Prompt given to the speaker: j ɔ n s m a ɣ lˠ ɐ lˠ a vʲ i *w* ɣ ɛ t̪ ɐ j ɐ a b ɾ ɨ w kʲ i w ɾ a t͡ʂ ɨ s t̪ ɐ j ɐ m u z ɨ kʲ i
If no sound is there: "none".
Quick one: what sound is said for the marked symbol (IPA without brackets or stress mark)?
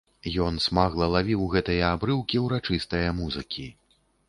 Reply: w